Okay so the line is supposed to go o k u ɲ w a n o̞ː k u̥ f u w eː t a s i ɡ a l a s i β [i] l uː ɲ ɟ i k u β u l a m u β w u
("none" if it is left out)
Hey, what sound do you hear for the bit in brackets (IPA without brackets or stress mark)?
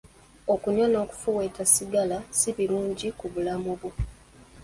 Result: i